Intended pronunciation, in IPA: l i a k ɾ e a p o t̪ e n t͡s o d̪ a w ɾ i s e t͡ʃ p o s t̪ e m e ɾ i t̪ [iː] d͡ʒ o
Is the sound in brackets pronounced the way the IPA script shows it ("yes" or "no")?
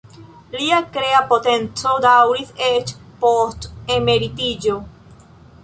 no